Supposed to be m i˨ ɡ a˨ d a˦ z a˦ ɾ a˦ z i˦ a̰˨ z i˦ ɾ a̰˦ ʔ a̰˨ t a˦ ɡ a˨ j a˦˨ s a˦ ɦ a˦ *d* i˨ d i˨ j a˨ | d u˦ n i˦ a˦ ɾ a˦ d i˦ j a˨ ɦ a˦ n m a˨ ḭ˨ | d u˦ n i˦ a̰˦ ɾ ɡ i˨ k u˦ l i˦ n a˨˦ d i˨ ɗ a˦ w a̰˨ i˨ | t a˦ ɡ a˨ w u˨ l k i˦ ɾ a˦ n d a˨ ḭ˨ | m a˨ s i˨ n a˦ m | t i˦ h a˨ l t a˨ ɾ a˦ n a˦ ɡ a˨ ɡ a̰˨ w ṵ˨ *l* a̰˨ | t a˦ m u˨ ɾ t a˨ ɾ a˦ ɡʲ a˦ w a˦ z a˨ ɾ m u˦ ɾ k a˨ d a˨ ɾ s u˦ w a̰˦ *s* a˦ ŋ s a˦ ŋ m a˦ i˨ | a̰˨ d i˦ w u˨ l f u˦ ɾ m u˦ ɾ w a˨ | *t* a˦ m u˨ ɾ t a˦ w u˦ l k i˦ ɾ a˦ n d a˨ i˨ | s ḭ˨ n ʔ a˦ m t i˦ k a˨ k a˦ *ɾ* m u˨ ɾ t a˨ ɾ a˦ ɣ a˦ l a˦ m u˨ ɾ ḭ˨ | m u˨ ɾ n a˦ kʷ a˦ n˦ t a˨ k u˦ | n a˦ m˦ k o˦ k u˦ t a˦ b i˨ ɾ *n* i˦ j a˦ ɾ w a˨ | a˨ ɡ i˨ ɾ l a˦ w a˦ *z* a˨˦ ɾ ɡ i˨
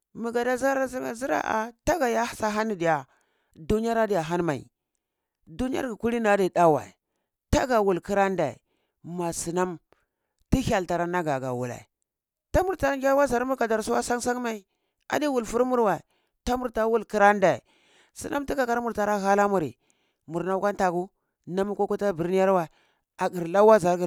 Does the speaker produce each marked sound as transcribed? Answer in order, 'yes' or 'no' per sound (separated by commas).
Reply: no, yes, yes, yes, yes, yes, yes